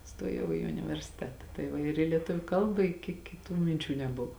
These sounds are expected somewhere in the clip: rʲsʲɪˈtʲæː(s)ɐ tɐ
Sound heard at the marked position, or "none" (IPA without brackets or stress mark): t